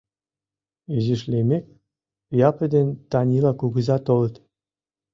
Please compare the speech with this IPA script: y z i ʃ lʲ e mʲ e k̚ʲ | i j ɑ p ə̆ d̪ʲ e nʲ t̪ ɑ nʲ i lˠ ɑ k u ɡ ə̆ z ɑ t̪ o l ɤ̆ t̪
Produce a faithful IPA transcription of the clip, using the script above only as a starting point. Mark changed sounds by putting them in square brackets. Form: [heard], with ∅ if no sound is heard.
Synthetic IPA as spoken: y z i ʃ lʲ e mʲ e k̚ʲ | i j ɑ p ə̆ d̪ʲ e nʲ t̪ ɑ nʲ i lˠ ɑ k u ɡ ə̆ z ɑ t̪ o l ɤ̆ t̪